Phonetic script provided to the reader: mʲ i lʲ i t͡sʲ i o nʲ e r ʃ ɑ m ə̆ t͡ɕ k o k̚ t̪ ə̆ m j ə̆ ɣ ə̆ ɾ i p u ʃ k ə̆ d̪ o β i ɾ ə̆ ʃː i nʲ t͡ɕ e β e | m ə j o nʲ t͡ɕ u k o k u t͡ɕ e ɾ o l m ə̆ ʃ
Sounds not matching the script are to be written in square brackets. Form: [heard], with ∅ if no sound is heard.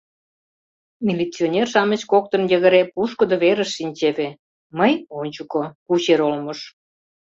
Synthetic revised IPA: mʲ i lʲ i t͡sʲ i o nʲ e r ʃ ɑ m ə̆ t͡ɕ k o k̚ t̪ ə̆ [n] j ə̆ ɣ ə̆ ɾ [e] p u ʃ k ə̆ d̪ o β [e] ɾ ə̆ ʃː i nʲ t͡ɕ e β e | m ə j o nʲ t͡ɕ u k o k u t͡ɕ e ɾ o l m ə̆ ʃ